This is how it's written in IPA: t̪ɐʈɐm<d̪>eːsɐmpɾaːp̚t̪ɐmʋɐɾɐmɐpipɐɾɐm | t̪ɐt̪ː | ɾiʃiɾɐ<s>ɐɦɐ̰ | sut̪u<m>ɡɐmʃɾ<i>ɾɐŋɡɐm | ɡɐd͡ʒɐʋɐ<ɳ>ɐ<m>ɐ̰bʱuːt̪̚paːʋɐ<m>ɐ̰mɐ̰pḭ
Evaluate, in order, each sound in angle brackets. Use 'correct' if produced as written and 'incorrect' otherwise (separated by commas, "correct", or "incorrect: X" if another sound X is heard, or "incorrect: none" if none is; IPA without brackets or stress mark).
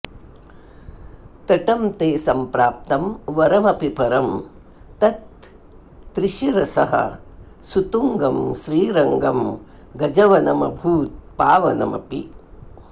incorrect: t̪, correct, incorrect: ŋ, incorrect: iː, incorrect: n, correct, incorrect: n